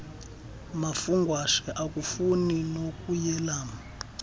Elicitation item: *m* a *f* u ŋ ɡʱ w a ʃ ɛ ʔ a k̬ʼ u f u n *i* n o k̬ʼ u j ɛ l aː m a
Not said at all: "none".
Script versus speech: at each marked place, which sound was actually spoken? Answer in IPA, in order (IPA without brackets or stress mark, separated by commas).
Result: m, f, i